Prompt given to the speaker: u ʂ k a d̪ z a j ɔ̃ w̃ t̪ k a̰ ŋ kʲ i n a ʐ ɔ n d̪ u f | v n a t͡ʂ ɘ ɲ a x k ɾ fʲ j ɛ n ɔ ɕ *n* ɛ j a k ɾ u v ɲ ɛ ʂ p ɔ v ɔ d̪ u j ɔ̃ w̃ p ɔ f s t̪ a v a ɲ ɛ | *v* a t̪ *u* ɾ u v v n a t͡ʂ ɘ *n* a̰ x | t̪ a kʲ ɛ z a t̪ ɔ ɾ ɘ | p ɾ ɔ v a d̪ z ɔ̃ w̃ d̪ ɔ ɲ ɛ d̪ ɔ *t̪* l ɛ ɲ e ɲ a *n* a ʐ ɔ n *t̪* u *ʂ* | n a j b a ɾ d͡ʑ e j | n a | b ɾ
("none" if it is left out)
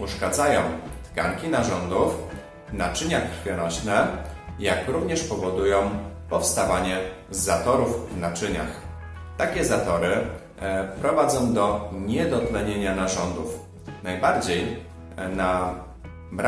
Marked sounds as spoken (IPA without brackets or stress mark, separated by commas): n, z, ɔ, ɲ, t̪, n, d̪, f